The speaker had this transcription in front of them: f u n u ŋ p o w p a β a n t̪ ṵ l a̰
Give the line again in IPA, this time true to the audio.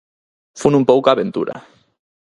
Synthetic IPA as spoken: f u n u m p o w k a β e n t̪ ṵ ɾ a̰